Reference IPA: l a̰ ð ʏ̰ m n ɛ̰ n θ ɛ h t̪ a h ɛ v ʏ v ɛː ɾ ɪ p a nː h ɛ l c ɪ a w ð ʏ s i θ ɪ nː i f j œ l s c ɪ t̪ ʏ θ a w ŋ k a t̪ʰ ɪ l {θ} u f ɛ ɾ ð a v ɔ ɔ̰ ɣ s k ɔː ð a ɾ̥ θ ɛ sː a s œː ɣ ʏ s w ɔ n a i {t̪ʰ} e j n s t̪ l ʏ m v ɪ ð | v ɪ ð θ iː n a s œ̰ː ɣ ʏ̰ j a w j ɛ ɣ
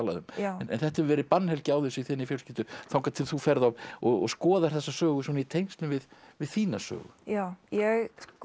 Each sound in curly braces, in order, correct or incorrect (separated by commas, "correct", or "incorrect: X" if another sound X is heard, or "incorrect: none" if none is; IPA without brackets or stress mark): correct, correct